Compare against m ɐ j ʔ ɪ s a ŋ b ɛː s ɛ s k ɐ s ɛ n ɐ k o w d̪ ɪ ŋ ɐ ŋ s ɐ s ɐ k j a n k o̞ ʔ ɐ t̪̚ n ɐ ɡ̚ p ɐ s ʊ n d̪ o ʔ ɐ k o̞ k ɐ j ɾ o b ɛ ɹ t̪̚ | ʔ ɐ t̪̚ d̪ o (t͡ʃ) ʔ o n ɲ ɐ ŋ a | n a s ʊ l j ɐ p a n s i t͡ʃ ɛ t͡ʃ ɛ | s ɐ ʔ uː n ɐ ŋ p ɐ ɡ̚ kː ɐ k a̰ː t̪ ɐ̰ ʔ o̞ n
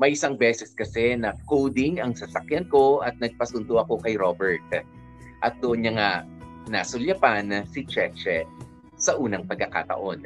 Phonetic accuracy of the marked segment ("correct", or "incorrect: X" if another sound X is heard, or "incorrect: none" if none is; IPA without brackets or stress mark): incorrect: none